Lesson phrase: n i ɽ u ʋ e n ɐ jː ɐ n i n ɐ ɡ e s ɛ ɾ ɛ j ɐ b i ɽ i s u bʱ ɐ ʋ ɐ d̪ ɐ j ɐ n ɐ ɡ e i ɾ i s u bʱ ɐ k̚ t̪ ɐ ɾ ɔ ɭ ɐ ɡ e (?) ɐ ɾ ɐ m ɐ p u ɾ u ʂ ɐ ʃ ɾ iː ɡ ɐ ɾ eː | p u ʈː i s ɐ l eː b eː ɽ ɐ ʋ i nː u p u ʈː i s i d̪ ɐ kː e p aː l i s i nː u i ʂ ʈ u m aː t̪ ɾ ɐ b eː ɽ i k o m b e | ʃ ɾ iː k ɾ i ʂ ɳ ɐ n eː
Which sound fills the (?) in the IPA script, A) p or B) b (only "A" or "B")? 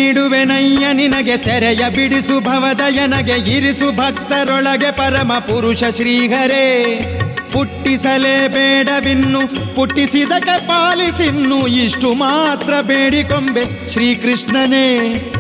A